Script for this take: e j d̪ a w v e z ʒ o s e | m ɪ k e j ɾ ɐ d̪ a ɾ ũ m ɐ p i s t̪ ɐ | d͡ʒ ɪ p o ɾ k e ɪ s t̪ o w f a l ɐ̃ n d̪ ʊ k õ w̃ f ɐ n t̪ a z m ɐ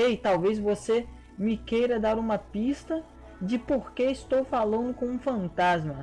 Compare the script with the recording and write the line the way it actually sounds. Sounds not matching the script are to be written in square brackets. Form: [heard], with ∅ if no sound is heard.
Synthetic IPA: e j [t̪] a w v e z [v] o s e | m ɪ k e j ɾ ɐ d̪ a ɾ ũ m ɐ p i s t̪ ɐ | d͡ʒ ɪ p o ɾ k e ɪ s t̪ o w f a l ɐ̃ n d̪ ʊ k õ [ũ] f [ɐ̃] n t̪ a z m ɐ